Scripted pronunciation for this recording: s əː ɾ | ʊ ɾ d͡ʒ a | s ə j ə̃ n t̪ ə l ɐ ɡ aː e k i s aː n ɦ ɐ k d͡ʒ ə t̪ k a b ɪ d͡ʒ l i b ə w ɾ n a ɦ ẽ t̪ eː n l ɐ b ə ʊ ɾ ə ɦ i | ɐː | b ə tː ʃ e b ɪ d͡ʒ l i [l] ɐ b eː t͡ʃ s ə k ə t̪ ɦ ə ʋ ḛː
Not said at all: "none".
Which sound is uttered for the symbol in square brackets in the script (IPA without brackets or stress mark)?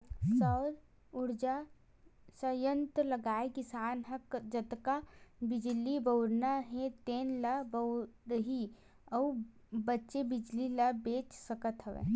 l